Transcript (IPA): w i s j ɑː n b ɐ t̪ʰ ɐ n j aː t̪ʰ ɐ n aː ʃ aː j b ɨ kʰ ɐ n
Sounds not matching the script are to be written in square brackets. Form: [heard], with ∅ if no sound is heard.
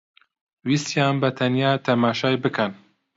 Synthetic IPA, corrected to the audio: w i s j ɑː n b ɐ t̪ʰ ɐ n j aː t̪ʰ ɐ [m] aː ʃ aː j b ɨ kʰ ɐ n